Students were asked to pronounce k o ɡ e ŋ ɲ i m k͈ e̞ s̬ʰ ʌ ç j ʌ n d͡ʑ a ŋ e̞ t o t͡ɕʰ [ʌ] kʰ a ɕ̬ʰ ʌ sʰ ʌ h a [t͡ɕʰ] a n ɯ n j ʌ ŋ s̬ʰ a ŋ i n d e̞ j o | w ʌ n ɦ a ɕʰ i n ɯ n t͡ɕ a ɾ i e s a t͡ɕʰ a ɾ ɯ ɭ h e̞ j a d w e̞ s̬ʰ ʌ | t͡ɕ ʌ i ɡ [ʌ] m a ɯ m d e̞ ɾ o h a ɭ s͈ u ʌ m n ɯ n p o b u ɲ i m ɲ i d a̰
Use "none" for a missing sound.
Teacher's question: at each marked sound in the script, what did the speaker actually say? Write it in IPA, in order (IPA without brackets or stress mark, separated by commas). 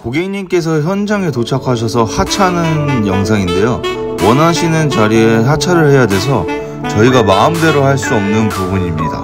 a, t͡ɕʰ, a